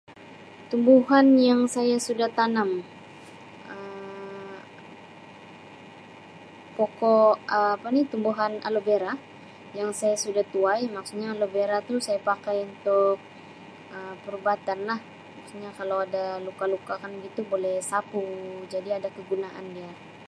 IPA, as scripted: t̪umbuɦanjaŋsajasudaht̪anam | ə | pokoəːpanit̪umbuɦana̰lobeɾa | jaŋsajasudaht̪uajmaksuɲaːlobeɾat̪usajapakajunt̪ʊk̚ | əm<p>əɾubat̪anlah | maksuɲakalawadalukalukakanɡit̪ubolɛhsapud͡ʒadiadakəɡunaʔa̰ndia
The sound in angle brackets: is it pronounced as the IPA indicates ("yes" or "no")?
yes